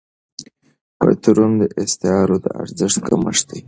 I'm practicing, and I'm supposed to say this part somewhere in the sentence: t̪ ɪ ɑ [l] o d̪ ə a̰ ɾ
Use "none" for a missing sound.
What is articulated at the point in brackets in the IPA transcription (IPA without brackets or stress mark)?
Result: ɾ